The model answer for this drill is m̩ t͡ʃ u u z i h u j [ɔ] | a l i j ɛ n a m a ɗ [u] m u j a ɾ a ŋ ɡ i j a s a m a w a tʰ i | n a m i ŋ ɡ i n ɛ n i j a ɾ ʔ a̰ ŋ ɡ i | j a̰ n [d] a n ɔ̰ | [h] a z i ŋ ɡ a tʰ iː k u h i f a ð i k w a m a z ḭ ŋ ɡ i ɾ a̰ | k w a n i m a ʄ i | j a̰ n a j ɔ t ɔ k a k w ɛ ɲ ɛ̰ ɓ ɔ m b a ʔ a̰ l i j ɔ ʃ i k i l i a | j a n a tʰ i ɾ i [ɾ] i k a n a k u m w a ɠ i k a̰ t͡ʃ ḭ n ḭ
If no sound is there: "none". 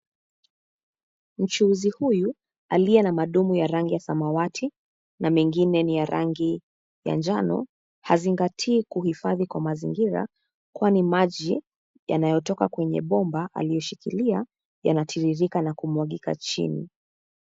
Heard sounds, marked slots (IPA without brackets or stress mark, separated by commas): u, u, d͡ʒ, h, ɾ